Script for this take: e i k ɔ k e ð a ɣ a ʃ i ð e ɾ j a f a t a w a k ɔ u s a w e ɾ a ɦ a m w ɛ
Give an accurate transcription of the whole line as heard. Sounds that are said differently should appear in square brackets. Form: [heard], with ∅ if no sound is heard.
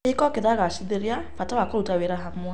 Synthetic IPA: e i k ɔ k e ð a ɣ a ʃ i ð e ɾ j a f a t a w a k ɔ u [t] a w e ɾ a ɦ a m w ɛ